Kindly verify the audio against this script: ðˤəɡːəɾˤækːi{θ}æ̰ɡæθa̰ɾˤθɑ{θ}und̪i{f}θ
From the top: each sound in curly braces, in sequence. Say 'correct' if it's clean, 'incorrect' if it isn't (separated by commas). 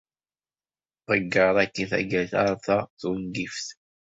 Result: correct, correct, correct